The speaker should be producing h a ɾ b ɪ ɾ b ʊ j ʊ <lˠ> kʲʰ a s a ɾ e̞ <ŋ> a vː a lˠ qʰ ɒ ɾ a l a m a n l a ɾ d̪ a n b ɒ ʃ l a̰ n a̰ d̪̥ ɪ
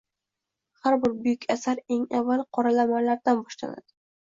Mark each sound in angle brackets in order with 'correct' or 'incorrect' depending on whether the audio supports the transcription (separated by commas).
incorrect, correct